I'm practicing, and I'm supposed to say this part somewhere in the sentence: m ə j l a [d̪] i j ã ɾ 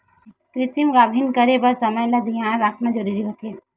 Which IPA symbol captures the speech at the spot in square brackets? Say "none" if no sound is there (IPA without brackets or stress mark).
d̪